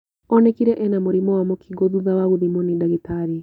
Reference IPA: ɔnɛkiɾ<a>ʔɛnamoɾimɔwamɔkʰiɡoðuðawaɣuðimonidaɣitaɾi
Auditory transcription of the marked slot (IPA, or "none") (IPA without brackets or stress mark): ɛ